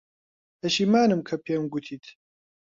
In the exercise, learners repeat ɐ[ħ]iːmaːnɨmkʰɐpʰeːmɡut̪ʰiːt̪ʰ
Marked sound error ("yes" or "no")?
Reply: yes